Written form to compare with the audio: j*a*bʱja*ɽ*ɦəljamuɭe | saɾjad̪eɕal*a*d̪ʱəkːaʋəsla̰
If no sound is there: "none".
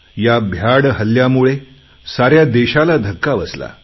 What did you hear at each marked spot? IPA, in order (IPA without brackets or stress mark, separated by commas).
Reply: a, ɽ, a